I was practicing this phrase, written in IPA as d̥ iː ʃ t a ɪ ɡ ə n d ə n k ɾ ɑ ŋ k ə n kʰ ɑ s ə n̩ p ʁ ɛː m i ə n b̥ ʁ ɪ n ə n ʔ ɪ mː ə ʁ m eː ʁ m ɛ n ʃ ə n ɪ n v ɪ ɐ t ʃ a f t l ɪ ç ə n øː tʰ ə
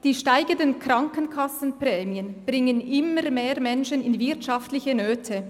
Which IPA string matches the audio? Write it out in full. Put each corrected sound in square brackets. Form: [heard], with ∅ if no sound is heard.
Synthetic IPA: d̥ iː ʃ t a ɪ ɡ ə n d ə n k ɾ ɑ ŋ k ə n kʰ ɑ s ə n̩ p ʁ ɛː m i ə n b̥ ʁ ɪ [ŋ] ə n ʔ ɪ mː ə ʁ m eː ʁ m ɛ n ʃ ə n ɪ n v ɪ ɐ t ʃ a f t l ɪ ç ə n øː tʰ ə